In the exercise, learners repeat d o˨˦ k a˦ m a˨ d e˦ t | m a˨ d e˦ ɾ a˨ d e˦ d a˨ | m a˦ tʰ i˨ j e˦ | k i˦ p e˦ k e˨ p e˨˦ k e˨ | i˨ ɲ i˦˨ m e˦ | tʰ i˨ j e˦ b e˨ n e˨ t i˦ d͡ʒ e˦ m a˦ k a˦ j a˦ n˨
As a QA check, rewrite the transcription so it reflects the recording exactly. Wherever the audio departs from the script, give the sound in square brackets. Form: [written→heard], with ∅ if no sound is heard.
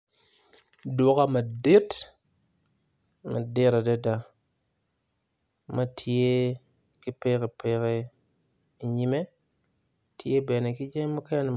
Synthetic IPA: d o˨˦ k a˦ m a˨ d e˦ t | m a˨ d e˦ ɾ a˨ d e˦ d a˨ | m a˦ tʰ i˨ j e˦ | k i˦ p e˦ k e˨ p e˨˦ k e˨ | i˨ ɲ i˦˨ m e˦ | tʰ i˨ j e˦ b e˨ n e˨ [t→k] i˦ d͡ʒ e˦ m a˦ k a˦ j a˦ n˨